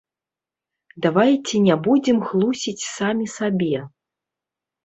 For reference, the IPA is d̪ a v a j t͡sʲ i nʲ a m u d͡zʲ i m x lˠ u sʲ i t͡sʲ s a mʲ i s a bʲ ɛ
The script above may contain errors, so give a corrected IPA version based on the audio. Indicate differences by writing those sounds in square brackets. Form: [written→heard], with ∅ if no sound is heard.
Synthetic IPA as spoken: d̪ a v a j t͡sʲ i nʲ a [m→b] u d͡zʲ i m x lˠ u sʲ i t͡sʲ s a mʲ i s a bʲ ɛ